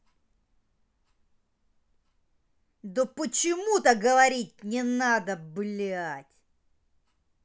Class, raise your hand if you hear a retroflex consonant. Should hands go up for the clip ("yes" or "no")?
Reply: no